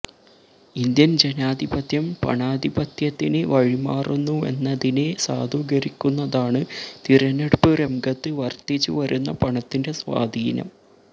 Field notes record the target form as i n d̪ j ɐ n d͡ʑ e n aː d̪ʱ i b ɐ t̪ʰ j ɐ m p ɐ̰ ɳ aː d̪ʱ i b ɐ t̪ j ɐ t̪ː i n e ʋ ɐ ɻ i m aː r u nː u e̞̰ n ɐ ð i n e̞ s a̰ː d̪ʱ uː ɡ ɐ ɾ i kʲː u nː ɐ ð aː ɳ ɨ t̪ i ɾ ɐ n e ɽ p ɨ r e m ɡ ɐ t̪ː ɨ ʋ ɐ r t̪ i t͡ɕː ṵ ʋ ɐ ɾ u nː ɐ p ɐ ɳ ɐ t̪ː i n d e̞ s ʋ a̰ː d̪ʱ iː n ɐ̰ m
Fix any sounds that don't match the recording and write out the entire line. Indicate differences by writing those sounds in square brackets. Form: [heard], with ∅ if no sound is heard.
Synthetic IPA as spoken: i n d̪ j ɐ n d͡ʑ e n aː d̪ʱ i b ɐ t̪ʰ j ɐ m p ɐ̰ ɳ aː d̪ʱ i b ɐ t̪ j ɐ t̪ː i n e ʋ ɐ ɻ i m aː r u nː u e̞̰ [nː] ɐ ð i n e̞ s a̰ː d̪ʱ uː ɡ ɐ ɾ i kʲː u nː ɐ ð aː ɳ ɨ t̪ i ɾ ɐ n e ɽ p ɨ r e m ɡ ɐ t̪ː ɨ ʋ ɐ r t̪ i t͡ɕː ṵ ʋ ɐ ɾ u nː ɐ p ɐ ɳ ɐ t̪ː i n d e̞ s ʋ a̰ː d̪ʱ iː n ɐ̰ m